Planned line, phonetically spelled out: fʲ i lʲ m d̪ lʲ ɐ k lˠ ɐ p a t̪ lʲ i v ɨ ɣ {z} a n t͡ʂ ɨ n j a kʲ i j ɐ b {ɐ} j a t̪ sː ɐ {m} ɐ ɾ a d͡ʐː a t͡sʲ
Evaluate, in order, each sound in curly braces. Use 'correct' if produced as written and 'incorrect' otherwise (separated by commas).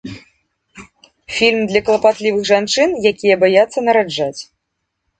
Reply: incorrect, incorrect, incorrect